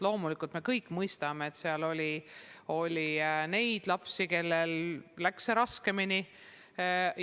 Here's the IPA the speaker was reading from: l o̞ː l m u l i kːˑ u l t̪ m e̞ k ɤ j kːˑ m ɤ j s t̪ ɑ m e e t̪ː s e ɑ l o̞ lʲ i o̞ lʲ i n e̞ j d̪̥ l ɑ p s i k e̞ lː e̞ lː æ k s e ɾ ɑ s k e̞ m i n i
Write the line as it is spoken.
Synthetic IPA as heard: l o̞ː m u l i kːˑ u l t̪ m e̞ k ɤ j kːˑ m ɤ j s t̪ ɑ m e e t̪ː s e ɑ l o̞ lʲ i o̞ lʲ i n e̞ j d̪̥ l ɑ p s i k e̞ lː e̞ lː æ k s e ɾ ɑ s k e̞ m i n i